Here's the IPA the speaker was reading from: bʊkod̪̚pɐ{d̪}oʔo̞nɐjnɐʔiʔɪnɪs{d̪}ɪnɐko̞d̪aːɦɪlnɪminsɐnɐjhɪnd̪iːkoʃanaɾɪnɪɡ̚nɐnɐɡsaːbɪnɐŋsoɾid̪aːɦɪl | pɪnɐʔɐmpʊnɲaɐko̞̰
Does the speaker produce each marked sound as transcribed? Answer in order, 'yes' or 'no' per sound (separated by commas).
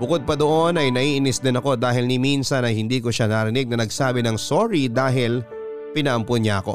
yes, yes